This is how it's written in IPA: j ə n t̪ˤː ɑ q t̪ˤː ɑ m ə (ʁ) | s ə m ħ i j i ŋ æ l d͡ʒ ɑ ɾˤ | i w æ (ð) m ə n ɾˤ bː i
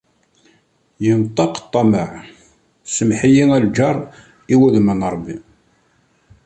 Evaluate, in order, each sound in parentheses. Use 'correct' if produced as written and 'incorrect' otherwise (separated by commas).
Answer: incorrect, correct